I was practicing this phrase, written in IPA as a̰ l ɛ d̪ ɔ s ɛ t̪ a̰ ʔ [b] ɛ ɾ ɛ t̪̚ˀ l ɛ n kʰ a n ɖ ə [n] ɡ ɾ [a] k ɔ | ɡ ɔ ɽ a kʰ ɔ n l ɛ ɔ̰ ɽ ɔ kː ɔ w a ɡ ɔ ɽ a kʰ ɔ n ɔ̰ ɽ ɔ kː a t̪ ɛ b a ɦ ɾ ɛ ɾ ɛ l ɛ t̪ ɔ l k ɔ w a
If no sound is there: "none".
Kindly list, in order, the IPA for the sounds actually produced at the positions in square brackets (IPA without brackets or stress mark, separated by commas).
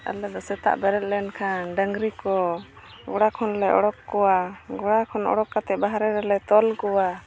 b, ŋ, i